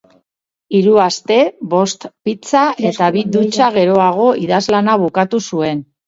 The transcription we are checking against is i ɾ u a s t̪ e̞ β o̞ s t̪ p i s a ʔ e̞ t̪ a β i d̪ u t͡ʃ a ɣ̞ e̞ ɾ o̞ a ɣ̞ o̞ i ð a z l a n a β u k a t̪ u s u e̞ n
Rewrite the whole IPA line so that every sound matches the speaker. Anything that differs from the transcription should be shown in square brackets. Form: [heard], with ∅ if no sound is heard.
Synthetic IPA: i ɾ u a s t̪ e̞ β o̞ s t̪ p i [t͡s] a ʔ e̞ t̪ a β i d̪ u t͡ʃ a ɣ̞ e̞ ɾ o̞ a ɣ̞ o̞ i ð a z l a n a β u k a t̪ u s u e̞ n